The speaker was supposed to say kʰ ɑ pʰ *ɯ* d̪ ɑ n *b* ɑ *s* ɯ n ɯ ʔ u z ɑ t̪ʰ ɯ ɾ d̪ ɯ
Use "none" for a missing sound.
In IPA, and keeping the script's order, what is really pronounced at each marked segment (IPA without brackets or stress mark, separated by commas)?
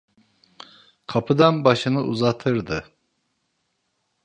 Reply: ɯ, b, ʃ